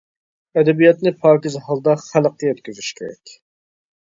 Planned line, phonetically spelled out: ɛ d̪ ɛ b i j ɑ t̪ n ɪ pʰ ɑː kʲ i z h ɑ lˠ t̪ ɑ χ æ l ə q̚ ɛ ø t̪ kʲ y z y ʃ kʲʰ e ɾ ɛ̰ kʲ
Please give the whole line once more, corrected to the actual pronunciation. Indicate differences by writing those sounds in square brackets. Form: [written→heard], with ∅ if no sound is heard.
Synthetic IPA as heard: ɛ d̪ ɛ b i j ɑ t̪ n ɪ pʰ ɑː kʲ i z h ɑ lˠ [t̪→d̪] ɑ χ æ l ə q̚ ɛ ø t̪ kʲ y z y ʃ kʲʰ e ɾ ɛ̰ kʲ